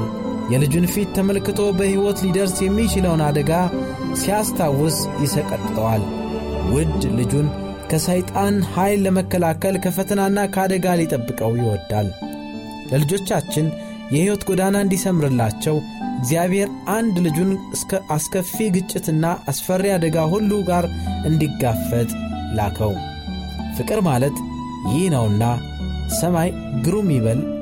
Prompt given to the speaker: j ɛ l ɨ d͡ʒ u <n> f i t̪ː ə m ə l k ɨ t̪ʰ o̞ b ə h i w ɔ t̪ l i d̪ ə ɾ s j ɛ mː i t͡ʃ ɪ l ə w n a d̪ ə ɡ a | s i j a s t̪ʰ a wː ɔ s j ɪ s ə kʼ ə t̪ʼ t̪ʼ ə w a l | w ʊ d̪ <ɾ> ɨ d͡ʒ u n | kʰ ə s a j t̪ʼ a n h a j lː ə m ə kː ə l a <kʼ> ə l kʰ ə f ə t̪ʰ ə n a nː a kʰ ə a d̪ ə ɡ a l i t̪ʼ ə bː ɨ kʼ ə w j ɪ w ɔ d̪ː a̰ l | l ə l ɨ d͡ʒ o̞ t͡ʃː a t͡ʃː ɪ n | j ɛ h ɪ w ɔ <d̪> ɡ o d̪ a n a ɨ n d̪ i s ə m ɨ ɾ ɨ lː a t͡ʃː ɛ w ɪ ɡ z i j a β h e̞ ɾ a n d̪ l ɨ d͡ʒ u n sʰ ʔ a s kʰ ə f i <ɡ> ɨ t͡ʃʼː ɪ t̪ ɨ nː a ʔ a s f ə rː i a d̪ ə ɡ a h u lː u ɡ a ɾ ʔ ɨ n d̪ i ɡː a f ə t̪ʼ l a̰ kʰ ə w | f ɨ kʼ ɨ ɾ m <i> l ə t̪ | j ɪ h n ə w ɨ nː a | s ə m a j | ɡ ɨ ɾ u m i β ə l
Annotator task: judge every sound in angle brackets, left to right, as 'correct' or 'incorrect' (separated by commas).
correct, incorrect, incorrect, incorrect, correct, incorrect